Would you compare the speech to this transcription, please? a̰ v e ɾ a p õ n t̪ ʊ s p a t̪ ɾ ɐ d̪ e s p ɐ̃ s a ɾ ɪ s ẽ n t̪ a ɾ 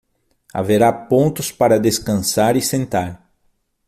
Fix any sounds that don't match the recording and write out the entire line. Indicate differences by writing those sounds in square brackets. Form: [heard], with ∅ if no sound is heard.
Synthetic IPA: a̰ v e ɾ a p õ n t̪ ʊ s p a [∅] ɾ ɐ d̪ e s [k] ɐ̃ s a ɾ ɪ s ẽ n t̪ a ɾ

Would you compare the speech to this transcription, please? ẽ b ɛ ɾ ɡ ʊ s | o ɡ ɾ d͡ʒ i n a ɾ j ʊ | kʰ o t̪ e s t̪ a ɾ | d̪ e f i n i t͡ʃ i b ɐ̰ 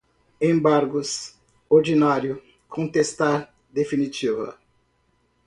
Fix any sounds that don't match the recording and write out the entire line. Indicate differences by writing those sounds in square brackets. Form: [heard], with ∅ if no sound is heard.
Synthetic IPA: ẽ b [a] ɾ ɡ ʊ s | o [∅] ɾ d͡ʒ i n a ɾ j ʊ | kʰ [õ] t̪ e s t̪ a ɾ | d̪ e f i n i t͡ʃ i [v] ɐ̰

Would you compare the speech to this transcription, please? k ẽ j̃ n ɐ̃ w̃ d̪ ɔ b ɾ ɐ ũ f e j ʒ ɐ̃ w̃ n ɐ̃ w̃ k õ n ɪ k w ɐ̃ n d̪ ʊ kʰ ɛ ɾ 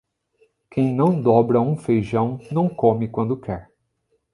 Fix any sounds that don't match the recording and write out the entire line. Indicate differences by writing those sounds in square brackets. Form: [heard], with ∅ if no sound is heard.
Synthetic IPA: k ẽ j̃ n ɐ̃ w̃ d̪ ɔ b ɾ ɐ ũ f e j ʒ ɐ̃ w̃ n ɐ̃ w̃ k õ [m] ɪ k w ɐ̃ n d̪ ʊ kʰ ɛ ɾ

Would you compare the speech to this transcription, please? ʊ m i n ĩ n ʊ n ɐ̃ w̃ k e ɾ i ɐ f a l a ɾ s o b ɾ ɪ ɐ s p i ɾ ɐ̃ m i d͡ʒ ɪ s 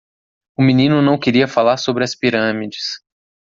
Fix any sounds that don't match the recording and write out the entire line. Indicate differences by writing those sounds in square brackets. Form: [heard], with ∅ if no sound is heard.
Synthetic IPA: ʊ m i n ĩ n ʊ n ɐ̃ w̃ k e ɾ i ɐ f a l a ɾ s o b ɾ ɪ ɐ s p i ɾ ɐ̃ m i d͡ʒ ɪ s

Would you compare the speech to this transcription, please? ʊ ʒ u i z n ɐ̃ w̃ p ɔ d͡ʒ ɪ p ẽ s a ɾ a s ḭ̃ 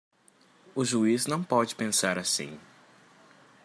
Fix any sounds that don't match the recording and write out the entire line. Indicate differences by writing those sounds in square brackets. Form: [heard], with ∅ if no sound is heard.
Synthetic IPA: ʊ ʒ u i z n ɐ̃ w̃ p ɔ d͡ʒ ɪ p ẽ s a ɾ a s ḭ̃

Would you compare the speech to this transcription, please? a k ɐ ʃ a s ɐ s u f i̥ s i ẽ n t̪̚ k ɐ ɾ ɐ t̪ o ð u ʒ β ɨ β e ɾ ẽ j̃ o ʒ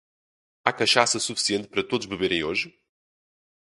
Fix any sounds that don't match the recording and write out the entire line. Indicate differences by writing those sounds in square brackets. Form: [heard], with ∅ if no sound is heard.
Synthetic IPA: a k ɐ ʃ a s ɐ s u f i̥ s i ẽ n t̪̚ [p] ɐ ɾ ɐ t̪ o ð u ʒ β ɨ β e ɾ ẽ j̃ o ʒ

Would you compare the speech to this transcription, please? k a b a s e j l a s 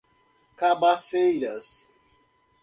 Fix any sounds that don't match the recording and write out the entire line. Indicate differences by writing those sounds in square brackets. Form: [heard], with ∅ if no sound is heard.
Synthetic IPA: k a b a s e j [ɾ] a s

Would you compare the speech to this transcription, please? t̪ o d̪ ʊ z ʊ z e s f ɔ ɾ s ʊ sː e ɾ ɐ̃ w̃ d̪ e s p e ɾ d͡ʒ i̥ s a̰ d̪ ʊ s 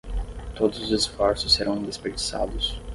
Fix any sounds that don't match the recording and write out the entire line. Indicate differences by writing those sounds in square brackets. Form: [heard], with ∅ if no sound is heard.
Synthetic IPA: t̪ o d̪ ʊ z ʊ z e s f ɔ ɾ s ʊ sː e ɾ ɐ̃ w̃ d̪ e s p e ɾ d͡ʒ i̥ s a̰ d̪ ʊ s

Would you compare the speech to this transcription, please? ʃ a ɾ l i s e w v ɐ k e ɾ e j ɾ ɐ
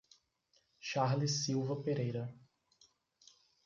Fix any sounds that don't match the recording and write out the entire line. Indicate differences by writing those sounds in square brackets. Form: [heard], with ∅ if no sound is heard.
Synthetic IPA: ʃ a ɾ l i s [i] w v ɐ [p] e ɾ e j ɾ ɐ

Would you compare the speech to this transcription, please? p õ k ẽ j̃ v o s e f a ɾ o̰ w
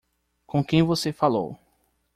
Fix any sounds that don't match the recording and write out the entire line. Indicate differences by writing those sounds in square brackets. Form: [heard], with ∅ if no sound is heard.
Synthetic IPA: [k] õ k ẽ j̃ v o s e f a [l] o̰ w

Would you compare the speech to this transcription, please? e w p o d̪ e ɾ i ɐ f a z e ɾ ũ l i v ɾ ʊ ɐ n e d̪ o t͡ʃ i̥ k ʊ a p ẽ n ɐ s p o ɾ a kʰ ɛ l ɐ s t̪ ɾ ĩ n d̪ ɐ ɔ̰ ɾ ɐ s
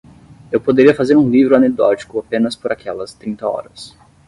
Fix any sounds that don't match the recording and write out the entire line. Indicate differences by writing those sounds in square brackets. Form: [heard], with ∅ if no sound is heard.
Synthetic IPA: e w p o d̪ e ɾ i ɐ f a z e ɾ ũ l i v ɾ ʊ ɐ n e d̪ [ɔ] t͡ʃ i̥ k ʊ a p ẽ n ɐ s p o ɾ a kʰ ɛ l ɐ s t̪ ɾ ĩ n [t̪] ɐ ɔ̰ ɾ ɐ s

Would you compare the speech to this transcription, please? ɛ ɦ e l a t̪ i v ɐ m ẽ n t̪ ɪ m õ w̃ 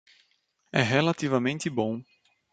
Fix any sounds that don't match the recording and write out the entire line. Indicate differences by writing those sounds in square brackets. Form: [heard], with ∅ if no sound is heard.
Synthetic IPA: ɛ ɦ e l a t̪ i v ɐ m ẽ n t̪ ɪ [b] õ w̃

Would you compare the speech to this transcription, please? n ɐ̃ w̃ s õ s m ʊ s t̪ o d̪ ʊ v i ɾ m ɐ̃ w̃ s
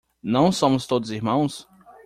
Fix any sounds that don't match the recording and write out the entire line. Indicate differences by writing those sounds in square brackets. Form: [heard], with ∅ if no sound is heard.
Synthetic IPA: n ɐ̃ w̃ s õ [∅] m ʊ s t̪ o d̪ ʊ [z] i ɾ m ɐ̃ w̃ s

